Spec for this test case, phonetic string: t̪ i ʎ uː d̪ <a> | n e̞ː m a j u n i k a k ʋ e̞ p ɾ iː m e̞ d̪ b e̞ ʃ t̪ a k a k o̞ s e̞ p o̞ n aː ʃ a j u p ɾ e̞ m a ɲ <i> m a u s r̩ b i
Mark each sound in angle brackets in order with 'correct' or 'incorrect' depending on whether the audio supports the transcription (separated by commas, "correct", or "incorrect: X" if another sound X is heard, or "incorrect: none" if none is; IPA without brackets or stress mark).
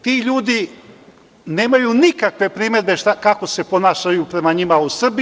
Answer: incorrect: i, correct